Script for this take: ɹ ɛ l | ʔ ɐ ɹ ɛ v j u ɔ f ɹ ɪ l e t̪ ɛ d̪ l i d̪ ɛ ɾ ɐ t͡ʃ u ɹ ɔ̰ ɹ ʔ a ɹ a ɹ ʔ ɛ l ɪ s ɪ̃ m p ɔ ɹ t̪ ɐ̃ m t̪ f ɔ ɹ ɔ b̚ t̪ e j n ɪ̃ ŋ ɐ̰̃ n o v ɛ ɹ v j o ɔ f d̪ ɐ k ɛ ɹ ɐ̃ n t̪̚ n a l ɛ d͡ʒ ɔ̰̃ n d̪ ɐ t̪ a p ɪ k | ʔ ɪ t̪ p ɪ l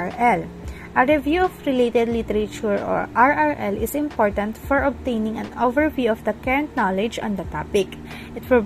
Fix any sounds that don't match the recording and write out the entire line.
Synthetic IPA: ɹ ɛ l | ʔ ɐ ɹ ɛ v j u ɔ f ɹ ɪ l e t̪ ɛ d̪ l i t̪ ɛ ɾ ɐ t͡ʃ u ɹ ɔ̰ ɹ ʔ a ɹ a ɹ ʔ ɛ l ɪ s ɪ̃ m p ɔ ɹ t̪ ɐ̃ n t̪ f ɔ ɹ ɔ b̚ t̪ e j n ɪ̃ ŋ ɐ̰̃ n o v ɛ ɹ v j u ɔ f d̪ ɐ k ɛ ɹ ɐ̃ n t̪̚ n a l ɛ d͡ʒ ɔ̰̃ n d̪ ɐ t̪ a p ɪ k | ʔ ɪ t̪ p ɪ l